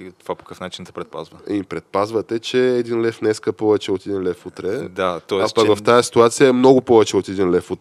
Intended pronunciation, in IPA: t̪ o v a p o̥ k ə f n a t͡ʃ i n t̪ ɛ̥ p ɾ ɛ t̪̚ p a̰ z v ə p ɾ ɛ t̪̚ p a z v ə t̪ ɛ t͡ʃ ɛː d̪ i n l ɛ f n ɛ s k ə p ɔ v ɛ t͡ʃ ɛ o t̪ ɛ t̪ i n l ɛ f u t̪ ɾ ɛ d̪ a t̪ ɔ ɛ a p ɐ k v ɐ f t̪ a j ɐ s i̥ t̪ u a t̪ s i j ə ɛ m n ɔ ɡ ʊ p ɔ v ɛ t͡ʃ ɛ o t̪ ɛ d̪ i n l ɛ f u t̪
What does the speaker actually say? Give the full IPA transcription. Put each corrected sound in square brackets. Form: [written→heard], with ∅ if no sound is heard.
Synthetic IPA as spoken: t̪ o v a p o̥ k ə f n a t͡ʃ i n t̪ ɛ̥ p ɾ ɛ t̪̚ p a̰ z v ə p ɾ ɛ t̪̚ p a z v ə t̪ ɛ t͡ʃ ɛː d̪ i n l ɛ f n ɛ s k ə p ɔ v ɛ t͡ʃ ɛ o t̪ ɛ [t̪→d̪] i n l ɛ f u t̪ ɾ ɛ d̪ a t̪ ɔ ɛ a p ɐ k v ɐ f t̪ a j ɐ s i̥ t̪ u a t̪ s i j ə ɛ m n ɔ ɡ ʊ p ɔ v ɛ t͡ʃ ɛ o t̪ ɛ d̪ i n l ɛ f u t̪